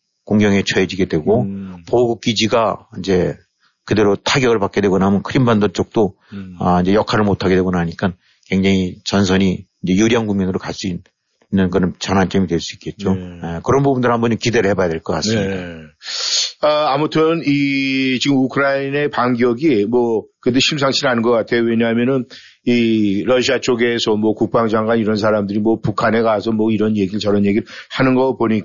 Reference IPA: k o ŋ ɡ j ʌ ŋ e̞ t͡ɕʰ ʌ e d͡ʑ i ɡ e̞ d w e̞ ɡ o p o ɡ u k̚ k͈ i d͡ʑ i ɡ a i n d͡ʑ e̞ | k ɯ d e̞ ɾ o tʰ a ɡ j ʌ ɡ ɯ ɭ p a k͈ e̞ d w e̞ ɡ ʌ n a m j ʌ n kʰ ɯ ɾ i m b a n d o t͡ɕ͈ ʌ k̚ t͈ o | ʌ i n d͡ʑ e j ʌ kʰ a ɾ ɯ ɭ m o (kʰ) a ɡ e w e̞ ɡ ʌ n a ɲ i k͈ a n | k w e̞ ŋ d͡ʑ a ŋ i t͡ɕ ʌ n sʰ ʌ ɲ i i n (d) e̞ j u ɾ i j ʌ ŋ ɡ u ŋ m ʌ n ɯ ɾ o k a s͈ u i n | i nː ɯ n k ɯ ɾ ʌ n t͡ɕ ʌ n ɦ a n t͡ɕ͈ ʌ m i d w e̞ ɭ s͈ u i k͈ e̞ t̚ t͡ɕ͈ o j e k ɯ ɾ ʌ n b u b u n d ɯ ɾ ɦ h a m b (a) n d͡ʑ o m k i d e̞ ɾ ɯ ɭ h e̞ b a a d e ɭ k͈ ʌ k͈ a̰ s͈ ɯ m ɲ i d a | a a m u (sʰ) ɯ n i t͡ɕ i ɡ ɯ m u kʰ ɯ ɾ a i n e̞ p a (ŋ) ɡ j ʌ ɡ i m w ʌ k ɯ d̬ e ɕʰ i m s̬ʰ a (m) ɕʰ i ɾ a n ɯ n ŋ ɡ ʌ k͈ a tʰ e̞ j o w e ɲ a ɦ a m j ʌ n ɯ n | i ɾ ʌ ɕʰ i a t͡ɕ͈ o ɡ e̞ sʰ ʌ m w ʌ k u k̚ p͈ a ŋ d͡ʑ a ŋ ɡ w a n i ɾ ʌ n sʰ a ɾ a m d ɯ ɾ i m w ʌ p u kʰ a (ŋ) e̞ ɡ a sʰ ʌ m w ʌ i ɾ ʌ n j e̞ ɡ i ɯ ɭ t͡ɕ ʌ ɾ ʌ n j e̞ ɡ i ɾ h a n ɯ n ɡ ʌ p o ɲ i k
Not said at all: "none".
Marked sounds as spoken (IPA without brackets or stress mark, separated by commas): tʰ, d͡ʑ, ʌ, tʰ, ŋ, ŋ, n